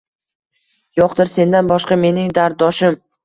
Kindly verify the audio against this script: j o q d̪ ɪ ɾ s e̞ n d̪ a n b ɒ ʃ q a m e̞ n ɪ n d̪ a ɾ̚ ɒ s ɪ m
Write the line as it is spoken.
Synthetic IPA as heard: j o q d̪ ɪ ɾ s e̞ n d̪ a n b ɒ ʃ q ɑ m e̞ n ɪ ŋ d̪ a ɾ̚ ɒ ʃ ɪ m